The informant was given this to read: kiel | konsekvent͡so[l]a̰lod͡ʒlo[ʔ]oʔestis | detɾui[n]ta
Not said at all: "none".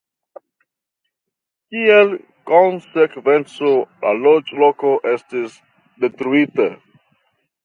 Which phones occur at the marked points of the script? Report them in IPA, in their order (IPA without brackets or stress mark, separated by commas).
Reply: l, k, none